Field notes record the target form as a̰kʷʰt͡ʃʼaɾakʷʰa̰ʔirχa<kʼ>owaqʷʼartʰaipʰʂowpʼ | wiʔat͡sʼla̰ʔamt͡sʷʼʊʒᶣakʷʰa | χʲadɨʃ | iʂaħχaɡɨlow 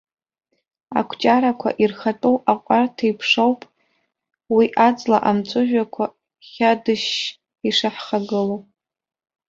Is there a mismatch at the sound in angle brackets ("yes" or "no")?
yes